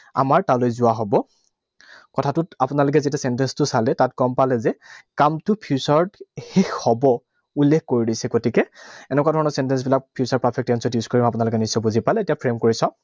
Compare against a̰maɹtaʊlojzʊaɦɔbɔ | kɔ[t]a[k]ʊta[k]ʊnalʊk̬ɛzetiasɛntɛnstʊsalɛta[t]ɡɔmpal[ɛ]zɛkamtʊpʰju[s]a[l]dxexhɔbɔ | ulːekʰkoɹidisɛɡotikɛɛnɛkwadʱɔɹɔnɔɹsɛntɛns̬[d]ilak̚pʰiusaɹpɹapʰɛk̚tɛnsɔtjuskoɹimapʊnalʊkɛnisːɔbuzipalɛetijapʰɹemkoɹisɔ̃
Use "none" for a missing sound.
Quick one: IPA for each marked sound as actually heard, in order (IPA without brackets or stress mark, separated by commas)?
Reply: tʰ, t, p, t, ɛ, s, ɹ, b